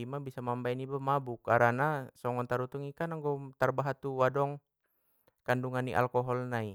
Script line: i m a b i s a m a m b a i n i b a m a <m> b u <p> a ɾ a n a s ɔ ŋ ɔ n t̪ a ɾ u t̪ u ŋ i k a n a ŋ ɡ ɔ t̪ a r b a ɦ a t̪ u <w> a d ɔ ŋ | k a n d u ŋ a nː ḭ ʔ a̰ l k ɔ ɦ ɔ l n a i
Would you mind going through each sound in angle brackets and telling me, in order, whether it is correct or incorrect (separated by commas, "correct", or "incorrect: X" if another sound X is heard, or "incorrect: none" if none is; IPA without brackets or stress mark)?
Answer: incorrect: none, incorrect: k, correct